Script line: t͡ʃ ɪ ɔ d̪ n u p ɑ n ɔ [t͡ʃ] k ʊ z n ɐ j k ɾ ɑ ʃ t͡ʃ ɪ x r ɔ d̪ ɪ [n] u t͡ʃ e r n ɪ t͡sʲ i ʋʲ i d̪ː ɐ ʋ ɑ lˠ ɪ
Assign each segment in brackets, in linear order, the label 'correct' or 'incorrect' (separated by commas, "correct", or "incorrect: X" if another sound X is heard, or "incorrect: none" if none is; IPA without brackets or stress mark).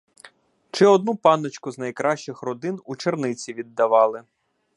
correct, correct